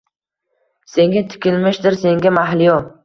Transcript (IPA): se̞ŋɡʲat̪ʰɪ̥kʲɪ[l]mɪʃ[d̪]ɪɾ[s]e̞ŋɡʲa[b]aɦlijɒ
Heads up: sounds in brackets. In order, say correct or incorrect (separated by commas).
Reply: correct, correct, correct, incorrect